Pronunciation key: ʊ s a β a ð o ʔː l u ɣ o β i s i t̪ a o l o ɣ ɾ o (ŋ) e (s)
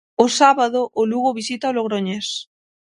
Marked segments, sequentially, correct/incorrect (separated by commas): incorrect, correct